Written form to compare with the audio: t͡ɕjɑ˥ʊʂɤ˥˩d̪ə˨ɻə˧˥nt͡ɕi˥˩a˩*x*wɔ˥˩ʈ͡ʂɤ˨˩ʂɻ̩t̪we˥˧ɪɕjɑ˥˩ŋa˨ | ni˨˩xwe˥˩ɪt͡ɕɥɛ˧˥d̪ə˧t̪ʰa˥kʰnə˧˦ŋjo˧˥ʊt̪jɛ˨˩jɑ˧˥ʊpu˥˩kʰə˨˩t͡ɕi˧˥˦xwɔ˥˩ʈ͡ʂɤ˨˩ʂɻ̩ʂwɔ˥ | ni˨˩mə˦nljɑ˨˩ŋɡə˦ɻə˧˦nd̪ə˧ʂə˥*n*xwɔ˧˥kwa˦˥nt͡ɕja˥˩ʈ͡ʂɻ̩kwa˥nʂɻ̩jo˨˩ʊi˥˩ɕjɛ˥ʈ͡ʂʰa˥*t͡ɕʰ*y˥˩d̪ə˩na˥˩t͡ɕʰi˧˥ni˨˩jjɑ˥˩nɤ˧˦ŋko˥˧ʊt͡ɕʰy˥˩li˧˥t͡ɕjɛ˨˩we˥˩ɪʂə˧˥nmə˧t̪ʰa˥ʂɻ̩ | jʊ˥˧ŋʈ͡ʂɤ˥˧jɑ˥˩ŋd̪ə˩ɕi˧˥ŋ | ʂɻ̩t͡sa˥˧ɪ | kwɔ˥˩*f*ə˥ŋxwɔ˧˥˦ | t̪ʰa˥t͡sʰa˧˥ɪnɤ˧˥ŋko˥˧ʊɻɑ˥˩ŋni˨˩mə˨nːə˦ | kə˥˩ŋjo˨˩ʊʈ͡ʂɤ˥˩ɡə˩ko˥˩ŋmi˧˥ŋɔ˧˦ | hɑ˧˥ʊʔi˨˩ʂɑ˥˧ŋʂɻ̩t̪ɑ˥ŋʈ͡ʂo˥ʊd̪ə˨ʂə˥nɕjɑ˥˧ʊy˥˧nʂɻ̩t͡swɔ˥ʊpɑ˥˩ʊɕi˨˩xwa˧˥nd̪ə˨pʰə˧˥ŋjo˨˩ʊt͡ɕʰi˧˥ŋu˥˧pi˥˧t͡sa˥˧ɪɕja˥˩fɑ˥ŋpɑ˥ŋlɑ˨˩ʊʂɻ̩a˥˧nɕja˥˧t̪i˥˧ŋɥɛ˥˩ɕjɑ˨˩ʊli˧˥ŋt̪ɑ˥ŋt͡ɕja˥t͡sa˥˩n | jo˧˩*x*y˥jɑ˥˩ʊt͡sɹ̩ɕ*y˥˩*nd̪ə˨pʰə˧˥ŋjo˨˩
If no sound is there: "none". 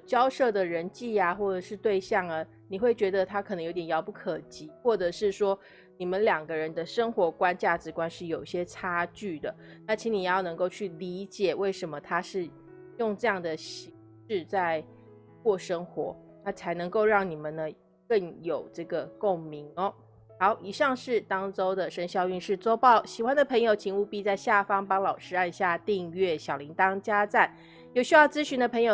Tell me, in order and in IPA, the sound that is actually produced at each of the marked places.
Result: x, ŋ, t͡ɕ, ʂ, ɕ, y˧˥

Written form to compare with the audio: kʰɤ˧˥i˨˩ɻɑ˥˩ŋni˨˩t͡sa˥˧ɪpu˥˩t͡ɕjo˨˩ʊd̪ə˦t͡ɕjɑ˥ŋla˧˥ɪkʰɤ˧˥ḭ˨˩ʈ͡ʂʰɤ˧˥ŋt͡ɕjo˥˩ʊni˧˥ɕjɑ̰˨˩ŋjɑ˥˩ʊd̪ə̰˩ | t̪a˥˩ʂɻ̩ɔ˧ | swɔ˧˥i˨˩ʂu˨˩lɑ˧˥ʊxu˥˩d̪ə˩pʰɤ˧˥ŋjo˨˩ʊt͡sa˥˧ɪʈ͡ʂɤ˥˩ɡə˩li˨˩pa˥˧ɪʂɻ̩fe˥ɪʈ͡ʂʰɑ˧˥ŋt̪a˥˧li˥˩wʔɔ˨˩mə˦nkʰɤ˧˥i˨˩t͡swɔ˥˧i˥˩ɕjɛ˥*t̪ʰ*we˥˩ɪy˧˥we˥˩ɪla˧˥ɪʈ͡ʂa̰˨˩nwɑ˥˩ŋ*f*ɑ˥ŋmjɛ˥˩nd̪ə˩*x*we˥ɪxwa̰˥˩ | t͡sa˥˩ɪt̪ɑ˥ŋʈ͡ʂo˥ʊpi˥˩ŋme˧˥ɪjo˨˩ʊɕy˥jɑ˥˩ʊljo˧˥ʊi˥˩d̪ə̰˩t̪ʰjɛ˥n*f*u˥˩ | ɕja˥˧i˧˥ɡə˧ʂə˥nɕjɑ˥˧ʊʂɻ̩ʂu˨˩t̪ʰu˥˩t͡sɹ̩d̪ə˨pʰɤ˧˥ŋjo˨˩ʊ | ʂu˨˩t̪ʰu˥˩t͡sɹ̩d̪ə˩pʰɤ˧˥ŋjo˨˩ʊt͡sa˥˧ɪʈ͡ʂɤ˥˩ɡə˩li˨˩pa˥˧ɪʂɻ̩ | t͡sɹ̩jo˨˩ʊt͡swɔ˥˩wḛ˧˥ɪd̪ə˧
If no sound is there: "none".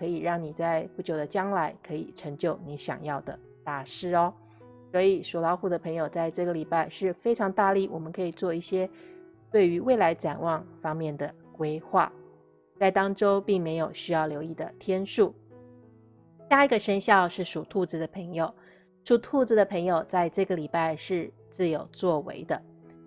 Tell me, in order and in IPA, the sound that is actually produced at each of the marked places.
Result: t̪, f, k, ʂ

